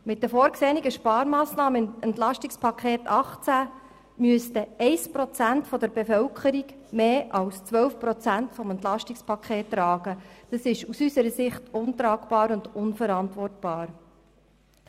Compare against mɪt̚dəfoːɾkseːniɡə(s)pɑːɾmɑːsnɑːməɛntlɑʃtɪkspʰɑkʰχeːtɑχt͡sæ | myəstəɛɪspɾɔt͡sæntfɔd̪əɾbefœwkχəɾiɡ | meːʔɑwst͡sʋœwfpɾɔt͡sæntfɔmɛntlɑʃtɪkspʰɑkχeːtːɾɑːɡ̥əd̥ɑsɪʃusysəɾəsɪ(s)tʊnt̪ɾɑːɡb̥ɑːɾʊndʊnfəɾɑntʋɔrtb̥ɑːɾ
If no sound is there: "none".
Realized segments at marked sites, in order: ʃ, χ

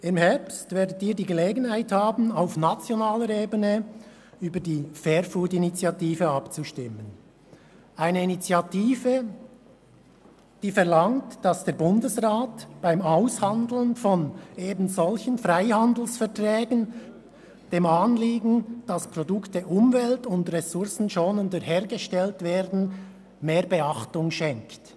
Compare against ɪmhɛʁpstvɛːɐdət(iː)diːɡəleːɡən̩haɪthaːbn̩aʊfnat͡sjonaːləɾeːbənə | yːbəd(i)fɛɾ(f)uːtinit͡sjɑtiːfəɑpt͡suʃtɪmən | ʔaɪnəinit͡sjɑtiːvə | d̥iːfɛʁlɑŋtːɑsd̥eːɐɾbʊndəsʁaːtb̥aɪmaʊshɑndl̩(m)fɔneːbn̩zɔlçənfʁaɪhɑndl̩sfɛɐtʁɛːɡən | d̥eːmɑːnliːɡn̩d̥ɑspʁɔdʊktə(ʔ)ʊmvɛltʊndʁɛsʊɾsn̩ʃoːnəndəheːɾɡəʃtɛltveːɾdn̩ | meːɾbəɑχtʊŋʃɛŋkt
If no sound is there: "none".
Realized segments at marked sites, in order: iː, iː, f, n, ʔ

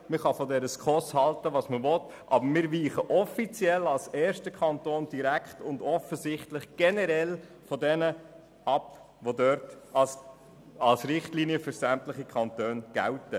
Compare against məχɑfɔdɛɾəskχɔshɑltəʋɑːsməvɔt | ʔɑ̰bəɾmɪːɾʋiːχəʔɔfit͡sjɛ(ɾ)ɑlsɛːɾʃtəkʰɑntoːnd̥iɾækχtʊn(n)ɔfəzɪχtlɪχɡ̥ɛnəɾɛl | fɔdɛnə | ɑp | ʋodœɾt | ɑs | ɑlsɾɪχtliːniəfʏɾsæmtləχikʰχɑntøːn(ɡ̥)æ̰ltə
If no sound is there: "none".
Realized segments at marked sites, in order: l, d, ɡ̥

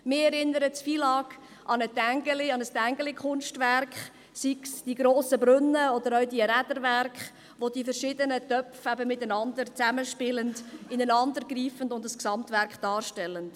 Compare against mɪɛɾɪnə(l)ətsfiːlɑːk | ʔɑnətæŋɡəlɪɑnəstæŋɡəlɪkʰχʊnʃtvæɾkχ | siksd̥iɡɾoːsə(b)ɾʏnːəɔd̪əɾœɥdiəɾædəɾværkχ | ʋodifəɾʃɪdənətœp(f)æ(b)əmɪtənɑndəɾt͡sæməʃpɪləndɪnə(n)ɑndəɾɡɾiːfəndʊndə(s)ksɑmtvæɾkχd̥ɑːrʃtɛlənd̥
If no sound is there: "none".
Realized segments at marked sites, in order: ɾ, b, f, b, n, s

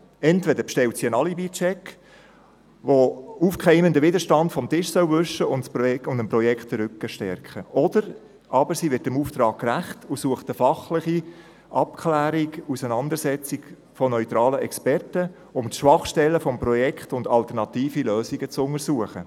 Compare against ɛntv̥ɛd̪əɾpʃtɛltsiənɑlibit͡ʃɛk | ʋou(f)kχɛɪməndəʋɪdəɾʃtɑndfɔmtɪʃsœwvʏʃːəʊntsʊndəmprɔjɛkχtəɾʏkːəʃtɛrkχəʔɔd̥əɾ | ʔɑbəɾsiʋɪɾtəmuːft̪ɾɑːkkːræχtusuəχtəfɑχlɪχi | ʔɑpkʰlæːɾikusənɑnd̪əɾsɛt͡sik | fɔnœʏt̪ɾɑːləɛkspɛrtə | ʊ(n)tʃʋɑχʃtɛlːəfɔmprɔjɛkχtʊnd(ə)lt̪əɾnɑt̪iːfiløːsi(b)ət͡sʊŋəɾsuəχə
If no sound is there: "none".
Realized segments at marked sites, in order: f, m, ɑ, ɡ

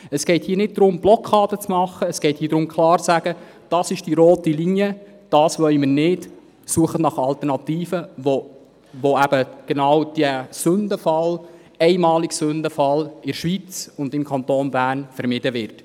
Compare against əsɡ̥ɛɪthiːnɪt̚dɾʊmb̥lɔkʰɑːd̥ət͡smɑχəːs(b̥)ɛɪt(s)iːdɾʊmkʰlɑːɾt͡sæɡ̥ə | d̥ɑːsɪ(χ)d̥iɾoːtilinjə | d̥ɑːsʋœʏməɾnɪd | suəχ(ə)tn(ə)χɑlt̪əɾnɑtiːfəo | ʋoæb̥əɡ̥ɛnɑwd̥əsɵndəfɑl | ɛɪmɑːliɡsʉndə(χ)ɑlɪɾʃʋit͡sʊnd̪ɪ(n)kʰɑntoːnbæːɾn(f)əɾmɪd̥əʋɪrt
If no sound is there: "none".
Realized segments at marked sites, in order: ɡ̥, h, ʃ, ə, ɑ, f, m, f

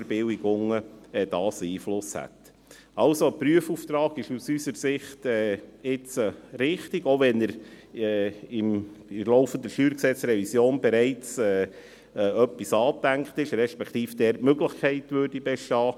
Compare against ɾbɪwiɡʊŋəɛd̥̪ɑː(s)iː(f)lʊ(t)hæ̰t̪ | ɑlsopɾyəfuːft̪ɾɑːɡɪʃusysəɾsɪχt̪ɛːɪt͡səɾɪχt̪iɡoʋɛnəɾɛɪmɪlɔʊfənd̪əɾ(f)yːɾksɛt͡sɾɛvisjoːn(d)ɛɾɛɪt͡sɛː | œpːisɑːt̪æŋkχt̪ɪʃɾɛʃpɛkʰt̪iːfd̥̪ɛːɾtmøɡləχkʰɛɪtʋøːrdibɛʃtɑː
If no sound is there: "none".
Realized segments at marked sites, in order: s, f, s, ʃ, b

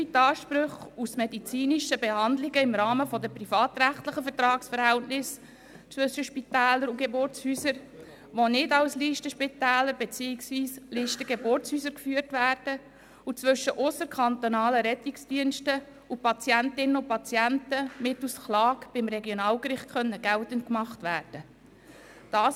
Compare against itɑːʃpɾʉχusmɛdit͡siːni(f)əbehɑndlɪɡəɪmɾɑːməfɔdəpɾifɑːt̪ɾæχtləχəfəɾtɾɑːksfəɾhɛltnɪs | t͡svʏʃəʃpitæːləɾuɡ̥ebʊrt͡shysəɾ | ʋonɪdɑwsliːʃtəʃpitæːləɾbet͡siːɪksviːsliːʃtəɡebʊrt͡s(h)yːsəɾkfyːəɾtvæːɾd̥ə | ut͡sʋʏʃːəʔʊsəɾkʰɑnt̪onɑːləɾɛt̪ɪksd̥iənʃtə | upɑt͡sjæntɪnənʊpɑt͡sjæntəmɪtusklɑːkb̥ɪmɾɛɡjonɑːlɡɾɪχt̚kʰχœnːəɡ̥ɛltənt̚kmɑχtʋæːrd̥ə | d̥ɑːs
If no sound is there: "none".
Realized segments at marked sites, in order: ʃ, h

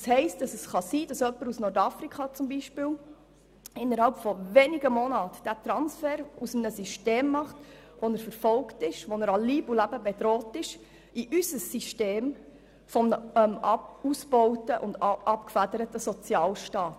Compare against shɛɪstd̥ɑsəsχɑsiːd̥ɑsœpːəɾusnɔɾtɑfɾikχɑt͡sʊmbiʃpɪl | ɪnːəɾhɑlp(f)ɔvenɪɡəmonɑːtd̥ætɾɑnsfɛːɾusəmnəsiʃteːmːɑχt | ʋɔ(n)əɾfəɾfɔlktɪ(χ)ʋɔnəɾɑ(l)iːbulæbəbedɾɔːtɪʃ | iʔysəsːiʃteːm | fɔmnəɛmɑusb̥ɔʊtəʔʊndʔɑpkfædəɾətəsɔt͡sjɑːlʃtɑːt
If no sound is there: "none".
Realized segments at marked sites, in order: f, n, ʃ, l

